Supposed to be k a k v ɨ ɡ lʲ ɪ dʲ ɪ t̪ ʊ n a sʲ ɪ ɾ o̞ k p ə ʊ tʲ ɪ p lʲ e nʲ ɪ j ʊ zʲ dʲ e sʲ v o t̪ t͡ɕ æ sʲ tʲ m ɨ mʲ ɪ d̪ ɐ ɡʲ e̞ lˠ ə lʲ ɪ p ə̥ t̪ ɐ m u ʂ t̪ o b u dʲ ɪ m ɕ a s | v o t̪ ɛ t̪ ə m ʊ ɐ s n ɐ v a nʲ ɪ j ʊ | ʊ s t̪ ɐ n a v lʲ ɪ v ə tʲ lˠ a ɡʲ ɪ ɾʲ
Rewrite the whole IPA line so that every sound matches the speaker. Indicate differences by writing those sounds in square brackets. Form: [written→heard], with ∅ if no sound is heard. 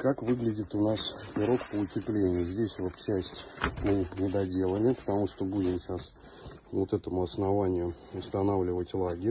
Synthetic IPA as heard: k a k v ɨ ɡ lʲ ɪ dʲ ɪ t̪ ʊ n a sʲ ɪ ɾ o̞ k p ə ʊ tʲ ɪ p lʲ e nʲ ɪ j ʊ zʲ dʲ e sʲ v o t̪ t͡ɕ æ sʲ tʲ m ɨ [mʲ→nʲ] ɪ d̪ ɐ [ɡʲ→dʲ] e̞ lˠ ə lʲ ɪ p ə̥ t̪ ɐ m u ʂ t̪ o b u dʲ ɪ m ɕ a s | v o t̪ ɛ t̪ ə m ʊ ɐ s n ɐ v a nʲ ɪ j ʊ | ʊ s t̪ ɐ n a v lʲ ɪ v ə tʲ lˠ a ɡʲ ɪ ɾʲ